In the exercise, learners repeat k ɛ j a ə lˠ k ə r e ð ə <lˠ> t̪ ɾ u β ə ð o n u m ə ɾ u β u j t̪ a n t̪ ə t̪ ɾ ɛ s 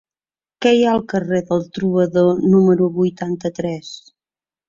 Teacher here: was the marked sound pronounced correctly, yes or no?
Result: yes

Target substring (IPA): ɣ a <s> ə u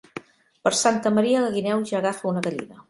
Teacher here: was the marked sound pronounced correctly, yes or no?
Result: no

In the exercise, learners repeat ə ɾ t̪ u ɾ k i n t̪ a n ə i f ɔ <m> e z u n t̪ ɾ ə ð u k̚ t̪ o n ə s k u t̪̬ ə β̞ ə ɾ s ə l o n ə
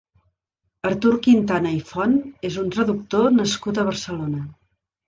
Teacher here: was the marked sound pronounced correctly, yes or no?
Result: no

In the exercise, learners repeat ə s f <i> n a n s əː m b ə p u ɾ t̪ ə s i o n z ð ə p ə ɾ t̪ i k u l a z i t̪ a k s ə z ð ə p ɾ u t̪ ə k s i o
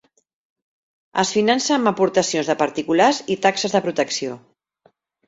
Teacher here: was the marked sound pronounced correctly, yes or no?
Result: yes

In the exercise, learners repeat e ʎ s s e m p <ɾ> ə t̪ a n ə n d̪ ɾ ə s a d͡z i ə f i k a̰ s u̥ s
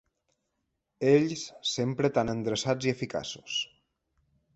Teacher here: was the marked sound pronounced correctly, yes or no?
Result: yes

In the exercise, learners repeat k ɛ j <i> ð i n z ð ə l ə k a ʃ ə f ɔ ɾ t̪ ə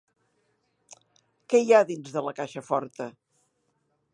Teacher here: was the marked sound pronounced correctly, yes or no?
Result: no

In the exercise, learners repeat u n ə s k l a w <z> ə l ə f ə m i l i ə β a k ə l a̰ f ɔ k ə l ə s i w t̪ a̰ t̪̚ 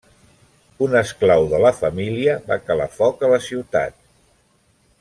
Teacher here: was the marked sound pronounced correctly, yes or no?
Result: no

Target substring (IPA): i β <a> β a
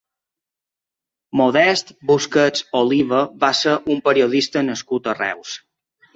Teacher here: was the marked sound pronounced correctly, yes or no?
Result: no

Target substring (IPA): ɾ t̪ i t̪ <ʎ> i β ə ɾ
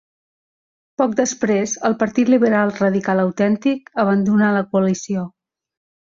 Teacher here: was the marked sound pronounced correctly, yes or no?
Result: no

